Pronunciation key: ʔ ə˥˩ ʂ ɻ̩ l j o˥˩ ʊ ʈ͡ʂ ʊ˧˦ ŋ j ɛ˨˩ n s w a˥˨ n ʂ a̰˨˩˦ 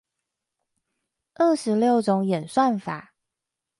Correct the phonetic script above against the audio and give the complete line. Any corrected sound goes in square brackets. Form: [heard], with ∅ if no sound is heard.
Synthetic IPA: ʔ ə˥˩ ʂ ɻ̩ l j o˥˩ ʊ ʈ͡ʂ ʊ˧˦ ŋ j ɛ˨˩ n s w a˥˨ n [f] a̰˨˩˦